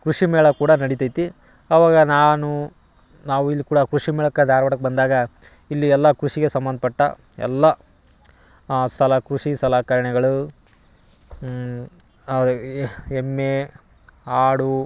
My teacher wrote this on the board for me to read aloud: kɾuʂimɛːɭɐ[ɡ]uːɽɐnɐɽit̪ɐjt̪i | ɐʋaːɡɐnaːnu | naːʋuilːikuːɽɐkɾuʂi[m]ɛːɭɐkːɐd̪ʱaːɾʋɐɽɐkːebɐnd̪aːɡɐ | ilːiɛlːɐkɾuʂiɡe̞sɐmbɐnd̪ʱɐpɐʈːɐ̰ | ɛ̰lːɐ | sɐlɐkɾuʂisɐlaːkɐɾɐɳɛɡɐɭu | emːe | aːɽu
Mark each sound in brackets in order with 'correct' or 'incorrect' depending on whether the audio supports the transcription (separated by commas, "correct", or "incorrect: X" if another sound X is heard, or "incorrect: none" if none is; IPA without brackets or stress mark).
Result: incorrect: k, correct